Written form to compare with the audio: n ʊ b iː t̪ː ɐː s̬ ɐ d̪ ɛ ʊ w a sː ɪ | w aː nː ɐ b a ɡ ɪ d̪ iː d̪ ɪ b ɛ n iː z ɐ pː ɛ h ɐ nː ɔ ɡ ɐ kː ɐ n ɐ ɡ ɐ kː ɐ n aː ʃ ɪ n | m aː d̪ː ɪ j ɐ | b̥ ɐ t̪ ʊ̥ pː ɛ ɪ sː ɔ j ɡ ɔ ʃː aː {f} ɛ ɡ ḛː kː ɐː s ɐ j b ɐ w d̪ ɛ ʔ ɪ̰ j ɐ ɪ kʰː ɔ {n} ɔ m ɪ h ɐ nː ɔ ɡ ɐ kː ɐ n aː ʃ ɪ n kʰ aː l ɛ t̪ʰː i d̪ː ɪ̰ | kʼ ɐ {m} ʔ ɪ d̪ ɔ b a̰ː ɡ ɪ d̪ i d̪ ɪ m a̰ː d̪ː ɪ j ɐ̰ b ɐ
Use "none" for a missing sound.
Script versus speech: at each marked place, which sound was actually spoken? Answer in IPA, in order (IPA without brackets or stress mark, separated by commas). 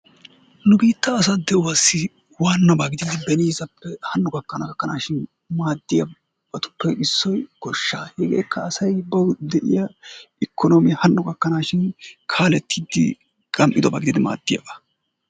h, n, m